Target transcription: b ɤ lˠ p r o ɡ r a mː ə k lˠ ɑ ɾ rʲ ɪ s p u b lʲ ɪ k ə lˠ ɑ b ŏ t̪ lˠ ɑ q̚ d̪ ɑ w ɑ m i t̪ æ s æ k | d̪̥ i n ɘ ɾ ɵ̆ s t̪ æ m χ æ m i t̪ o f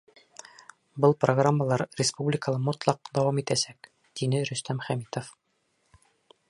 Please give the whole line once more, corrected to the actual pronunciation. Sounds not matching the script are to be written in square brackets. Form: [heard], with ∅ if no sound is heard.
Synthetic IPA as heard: b ɤ lˠ p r o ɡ r a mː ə [∅] lˠ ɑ ɾ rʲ ɪ s p u b lʲ ɪ k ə lˠ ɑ [m] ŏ t̪ lˠ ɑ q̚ d̪ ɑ w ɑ m i t̪ æ s æ k | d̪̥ i n ɘ ɾ ɵ̆ s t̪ æ m χ æ m i t̪ o f